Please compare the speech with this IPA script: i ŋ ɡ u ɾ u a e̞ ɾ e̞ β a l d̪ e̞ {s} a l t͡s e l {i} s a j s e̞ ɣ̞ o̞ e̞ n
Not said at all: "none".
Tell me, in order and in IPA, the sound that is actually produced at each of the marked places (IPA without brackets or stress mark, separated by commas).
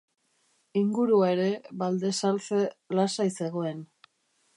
s, a